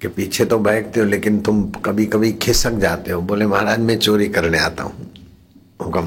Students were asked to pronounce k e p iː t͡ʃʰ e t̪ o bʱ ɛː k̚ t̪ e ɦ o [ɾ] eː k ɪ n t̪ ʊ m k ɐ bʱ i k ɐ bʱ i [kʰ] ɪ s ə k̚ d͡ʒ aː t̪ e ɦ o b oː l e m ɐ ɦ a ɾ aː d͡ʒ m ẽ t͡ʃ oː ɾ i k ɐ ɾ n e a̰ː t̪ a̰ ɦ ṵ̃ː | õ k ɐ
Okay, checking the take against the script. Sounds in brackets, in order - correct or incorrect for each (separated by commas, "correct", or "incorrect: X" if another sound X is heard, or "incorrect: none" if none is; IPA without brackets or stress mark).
incorrect: l, correct